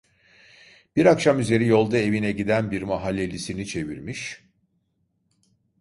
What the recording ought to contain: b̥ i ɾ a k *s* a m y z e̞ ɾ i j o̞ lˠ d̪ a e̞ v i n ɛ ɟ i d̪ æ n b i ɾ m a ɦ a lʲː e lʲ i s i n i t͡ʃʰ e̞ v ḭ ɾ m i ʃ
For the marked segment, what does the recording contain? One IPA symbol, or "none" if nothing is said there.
ʃ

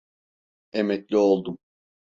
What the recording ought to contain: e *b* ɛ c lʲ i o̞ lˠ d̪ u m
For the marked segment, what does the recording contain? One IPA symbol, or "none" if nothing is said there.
m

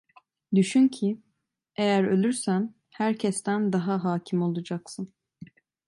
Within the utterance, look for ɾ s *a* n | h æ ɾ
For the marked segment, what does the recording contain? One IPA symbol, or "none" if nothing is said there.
æ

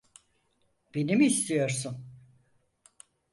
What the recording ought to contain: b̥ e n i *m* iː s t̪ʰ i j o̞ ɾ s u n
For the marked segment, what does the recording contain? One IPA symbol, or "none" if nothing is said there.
m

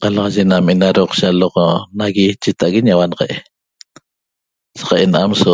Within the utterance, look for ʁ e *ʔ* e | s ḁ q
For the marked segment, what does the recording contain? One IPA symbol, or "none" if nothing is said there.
ʔ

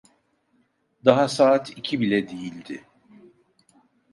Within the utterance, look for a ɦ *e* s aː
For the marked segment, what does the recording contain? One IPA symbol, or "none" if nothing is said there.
a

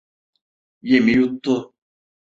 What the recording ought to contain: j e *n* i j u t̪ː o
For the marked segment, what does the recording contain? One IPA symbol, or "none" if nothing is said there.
m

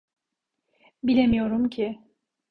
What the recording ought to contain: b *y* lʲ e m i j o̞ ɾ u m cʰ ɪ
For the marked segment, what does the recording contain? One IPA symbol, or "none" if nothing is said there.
i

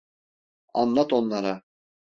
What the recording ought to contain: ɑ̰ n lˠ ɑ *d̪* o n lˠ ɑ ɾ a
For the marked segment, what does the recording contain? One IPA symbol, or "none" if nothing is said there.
t̪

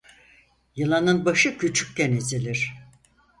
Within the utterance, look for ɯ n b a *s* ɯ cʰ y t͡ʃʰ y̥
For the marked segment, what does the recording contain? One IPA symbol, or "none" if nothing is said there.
ʃ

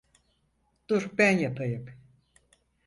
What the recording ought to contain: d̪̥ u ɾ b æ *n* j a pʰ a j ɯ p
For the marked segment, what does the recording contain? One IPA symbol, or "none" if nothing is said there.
n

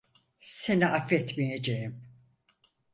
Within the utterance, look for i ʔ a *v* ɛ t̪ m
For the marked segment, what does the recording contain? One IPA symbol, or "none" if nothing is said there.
f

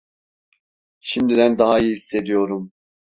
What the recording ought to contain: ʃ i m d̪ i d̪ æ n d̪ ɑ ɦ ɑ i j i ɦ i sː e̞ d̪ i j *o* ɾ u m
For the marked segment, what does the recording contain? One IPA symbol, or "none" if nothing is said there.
o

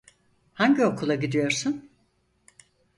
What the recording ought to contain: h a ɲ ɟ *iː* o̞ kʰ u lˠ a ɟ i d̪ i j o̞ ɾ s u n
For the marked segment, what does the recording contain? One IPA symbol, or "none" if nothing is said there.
i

